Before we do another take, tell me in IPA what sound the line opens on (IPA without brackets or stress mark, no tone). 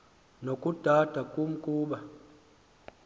n